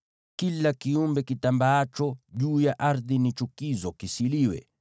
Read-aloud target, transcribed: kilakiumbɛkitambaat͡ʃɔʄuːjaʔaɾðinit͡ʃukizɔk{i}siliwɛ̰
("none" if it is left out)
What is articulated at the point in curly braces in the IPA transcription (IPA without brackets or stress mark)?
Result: i